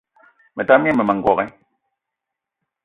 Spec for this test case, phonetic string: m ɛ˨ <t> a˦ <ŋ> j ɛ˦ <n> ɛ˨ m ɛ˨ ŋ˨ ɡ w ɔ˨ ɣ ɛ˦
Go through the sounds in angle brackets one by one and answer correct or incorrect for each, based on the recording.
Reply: correct, incorrect: m, incorrect: m

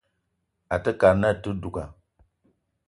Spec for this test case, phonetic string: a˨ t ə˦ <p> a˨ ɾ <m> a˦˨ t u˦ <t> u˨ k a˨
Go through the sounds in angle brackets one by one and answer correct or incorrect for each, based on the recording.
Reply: incorrect: k, incorrect: n, incorrect: d

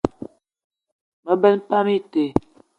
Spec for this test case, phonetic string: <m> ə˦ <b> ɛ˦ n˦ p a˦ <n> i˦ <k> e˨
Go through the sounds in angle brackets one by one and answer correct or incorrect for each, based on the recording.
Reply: correct, correct, incorrect: m, incorrect: t

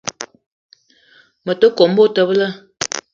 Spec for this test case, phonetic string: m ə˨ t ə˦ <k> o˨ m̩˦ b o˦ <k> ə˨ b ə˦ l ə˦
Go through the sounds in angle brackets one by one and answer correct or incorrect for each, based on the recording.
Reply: correct, incorrect: t

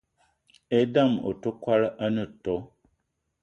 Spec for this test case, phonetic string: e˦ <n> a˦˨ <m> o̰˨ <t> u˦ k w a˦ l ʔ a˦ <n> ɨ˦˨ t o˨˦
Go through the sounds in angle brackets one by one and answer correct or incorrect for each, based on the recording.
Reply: incorrect: d, correct, correct, correct

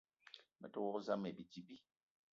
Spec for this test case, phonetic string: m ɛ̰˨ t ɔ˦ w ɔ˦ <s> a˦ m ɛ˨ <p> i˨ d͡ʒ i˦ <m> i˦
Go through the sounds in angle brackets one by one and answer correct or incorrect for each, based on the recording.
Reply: incorrect: z, incorrect: b, incorrect: b

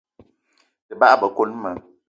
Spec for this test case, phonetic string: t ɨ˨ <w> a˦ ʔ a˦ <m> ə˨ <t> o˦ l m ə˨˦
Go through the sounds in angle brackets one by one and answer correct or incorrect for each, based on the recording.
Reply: incorrect: b, incorrect: b, incorrect: k

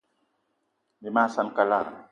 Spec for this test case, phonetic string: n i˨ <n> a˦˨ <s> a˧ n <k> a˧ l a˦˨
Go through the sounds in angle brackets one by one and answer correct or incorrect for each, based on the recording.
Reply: incorrect: m, correct, correct

